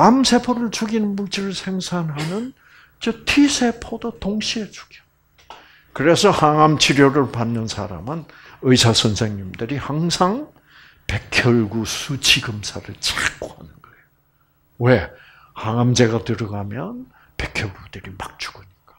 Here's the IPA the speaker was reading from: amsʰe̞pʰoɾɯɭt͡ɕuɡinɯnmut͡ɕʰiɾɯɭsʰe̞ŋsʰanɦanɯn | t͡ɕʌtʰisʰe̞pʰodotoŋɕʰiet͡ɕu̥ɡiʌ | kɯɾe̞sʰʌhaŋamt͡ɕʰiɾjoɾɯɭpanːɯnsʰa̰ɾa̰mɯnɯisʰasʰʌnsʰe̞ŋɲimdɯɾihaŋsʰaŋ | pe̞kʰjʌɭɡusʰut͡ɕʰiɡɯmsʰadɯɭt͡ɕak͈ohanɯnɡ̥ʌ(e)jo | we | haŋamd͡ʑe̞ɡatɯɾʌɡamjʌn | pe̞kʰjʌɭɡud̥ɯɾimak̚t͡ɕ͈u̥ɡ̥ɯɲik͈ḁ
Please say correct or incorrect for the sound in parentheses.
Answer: correct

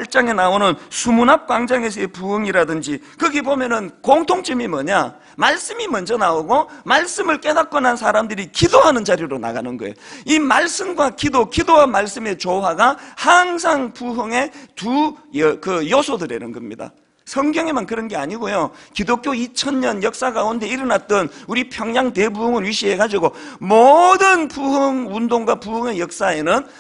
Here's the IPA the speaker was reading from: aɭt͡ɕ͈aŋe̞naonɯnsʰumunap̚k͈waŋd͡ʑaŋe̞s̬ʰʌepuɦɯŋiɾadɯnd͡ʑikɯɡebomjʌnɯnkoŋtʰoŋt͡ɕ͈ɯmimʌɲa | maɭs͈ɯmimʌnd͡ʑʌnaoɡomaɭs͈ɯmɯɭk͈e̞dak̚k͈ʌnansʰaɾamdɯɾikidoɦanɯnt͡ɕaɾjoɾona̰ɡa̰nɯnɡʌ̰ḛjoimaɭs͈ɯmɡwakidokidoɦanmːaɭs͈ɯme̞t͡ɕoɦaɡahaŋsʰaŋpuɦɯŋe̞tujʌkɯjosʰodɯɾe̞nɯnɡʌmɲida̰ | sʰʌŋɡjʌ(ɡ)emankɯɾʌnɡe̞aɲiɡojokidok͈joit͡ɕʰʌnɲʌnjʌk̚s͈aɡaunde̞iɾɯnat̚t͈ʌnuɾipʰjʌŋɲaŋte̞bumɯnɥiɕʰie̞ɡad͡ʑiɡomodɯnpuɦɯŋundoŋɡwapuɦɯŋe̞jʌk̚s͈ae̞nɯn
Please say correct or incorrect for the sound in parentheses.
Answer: incorrect: ŋ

